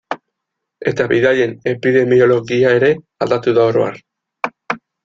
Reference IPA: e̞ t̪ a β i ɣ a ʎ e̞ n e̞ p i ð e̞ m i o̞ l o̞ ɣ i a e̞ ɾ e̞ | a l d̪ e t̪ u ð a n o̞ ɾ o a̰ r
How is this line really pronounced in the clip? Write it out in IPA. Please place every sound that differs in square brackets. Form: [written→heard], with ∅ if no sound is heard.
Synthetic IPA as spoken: e̞ t̪ a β i [ɣ→ð] a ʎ e̞ n e̞ p i ð e̞ m i o̞ l o̞ ɣ i a e̞ ɾ e̞ | a l d̪ [e→a] t̪ u ð a [n→∅] o̞ ɾ o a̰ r

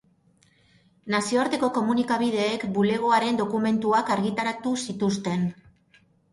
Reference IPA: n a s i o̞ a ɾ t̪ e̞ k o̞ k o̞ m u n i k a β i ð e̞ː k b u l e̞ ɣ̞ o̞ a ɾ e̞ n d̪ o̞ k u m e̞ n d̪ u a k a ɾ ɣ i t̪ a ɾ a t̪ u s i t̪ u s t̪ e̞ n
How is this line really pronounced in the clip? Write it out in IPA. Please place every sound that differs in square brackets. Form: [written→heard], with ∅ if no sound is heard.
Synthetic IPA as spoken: n a s i o̞ a ɾ t̪ e̞ k o̞ k o̞ m u n i k a β i ð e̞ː k b u l e̞ ɣ̞ o̞ a ɾ e̞ n d̪ o̞ k u m e̞ n [d̪→t̪] u a k a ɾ ɣ i t̪ a ɾ a t̪ u s i t̪ u s t̪ e̞ n

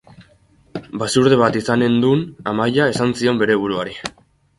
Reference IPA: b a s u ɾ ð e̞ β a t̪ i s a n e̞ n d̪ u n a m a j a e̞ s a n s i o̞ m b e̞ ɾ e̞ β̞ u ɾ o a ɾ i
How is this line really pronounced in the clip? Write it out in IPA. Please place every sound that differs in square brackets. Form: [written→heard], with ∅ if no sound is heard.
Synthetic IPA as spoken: b a s u ɾ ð e̞ β a t̪ i s a n e̞ n d̪ u n a m a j a e̞ s a n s i o̞ m b e̞ ɾ e̞ β̞ u ɾ [o→u] a ɾ i

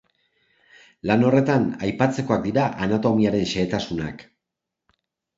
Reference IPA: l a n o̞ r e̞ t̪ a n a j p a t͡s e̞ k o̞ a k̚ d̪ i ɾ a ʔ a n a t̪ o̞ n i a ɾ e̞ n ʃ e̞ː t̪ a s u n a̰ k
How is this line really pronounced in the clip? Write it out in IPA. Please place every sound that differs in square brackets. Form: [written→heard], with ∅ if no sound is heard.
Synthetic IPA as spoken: l a n o̞ r e̞ t̪ a n a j p a t͡s e̞ k o̞ a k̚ d̪ i ɾ a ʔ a n a t̪ o̞ [n→m] i a ɾ e̞ n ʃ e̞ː t̪ a s u n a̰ k

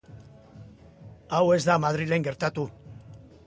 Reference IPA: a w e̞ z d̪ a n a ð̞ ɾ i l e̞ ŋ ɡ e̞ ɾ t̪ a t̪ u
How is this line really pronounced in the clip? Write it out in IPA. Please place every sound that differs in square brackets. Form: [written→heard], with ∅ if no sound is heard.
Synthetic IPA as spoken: a w e̞ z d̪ a [n→m] a ð̞ ɾ i l e̞ ŋ ɡ e̞ ɾ t̪ a t̪ u

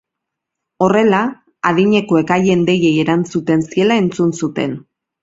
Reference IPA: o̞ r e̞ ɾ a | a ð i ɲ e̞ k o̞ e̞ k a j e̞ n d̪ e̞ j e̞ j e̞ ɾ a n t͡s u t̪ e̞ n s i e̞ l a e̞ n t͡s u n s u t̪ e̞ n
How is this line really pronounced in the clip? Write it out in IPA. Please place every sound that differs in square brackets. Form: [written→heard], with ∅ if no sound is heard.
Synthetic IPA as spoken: o̞ r e̞ [ɾ→l] a | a ð i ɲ e̞ k o̞ e̞ k a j e̞ n d̪ e̞ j e̞ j e̞ ɾ a n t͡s u t̪ e̞ n s i e̞ l a e̞ n t͡s u n s u t̪ e̞ n

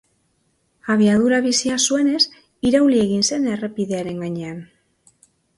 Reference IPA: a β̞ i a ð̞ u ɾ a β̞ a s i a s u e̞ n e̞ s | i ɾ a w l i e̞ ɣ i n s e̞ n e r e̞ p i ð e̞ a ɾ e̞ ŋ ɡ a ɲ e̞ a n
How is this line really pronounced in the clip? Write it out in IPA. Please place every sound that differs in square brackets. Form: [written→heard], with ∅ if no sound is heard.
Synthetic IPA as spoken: a β̞ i a ð̞ u ɾ a β̞ [a→i] s i a s u e̞ n e̞ s | i ɾ a w l i e̞ ɣ i n s e̞ n e r e̞ p i ð e̞ a ɾ e̞ ŋ ɡ a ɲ e̞ a n

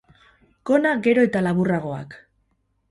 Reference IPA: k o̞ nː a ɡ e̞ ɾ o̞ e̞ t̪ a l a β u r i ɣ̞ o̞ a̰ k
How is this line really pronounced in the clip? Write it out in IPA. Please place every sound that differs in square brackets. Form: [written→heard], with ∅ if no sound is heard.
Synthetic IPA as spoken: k o̞ [nː→n] a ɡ e̞ ɾ o̞ e̞ t̪ a l a β u r [i→a] ɣ̞ o̞ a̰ k

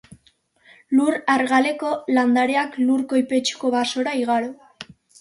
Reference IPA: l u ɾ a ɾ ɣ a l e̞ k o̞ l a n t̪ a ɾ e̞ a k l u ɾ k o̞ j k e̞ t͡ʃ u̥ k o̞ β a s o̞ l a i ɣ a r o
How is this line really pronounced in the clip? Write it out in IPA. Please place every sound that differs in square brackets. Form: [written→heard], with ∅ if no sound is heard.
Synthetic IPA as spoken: l u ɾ a ɾ ɣ a l e̞ k o̞ l a n [t̪→d̪] a ɾ e̞ a k l u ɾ k o̞ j [k→p] e̞ t͡ʃ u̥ k o̞ β a s o̞ [l→ɾ] a i ɣ a [r→ɾ] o

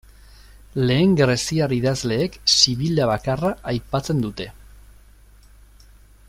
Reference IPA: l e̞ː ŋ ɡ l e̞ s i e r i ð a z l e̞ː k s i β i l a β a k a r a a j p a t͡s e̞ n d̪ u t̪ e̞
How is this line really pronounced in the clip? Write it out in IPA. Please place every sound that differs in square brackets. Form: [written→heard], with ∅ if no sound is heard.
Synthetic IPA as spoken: l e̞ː ŋ ɡ [l→ɾ] e̞ s i [e→a] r i ð a z l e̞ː k s i β i l a β a k a r a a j p a t͡s e̞ n d̪ u t̪ e̞

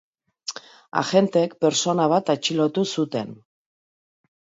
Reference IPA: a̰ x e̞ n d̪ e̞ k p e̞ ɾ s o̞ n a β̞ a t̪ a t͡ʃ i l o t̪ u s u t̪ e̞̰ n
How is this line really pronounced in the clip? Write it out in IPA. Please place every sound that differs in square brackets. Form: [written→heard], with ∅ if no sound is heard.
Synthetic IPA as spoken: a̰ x e̞ n [d̪→t̪] e̞ k p e̞ ɾ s o̞ n a β̞ a t̪ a t͡ʃ i l o t̪ u s u t̪ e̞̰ n

